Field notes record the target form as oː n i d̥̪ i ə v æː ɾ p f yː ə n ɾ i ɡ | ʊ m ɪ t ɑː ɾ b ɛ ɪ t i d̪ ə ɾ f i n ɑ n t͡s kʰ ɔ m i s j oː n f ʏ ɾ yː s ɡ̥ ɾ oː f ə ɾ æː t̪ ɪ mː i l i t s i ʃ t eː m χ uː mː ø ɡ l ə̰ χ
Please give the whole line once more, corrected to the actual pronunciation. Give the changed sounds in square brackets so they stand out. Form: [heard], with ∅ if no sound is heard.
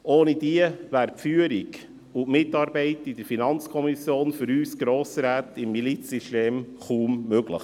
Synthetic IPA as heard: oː n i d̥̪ i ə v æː ɾ p f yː ə [∅] ɾ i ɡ | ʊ m ɪ t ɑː ɾ b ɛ ɪ t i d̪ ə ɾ f i n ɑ n t͡s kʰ ɔ m i s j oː n f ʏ ɾ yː s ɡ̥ ɾ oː [s] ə ɾ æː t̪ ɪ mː i l i [t͡s] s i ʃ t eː m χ uː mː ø ɡ l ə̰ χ